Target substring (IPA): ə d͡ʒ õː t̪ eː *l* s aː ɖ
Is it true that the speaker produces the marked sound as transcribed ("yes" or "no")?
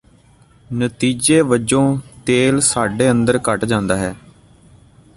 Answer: yes